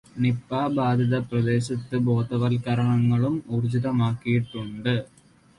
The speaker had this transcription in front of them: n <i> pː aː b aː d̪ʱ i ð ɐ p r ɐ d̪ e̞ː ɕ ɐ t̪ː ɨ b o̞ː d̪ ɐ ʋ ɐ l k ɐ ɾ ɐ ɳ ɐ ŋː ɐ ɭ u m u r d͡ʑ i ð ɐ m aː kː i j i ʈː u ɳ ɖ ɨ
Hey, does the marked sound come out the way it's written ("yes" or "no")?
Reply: yes